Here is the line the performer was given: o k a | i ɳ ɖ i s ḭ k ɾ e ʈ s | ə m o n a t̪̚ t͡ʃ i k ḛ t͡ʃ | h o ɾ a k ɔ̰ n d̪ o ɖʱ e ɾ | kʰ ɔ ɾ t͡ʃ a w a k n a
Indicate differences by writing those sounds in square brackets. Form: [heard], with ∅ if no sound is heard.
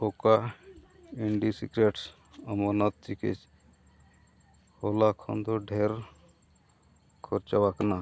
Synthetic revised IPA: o k a | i ɳ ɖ i s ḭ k ɾ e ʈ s | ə m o n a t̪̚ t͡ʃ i k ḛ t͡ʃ | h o [l] a [kʰ] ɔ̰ n d̪ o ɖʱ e ɾ | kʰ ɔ ɾ t͡ʃ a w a k n a